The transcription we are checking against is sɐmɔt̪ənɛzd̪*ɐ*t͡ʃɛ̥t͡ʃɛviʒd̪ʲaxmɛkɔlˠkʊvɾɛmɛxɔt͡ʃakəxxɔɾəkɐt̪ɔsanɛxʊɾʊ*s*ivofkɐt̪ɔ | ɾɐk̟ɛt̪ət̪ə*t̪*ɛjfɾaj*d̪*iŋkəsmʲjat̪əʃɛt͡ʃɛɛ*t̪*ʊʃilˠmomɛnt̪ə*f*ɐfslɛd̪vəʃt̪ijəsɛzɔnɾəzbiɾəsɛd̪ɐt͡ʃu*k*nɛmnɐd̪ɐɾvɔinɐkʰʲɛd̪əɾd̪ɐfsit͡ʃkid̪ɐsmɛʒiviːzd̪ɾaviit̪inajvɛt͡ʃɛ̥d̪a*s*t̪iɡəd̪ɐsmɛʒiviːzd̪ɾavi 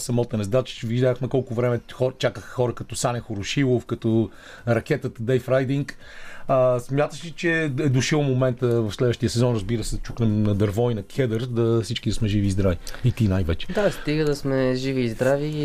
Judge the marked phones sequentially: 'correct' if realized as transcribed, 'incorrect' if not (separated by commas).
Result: incorrect, incorrect, incorrect, correct, incorrect, incorrect, correct, correct